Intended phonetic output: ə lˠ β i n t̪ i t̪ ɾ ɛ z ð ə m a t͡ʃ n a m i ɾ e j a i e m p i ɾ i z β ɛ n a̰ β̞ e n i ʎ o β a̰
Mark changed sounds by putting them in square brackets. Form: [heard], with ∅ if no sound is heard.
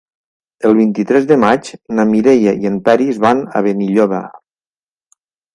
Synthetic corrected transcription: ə lˠ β i n t̪ i t̪ ɾ ɛ z ð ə m a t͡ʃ n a m i ɾ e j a i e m p [ɛ] ɾ i z β [a] n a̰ β̞ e n i ʎ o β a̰